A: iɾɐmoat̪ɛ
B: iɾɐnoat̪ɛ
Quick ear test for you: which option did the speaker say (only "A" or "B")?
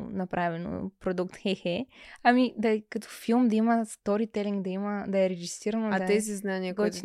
B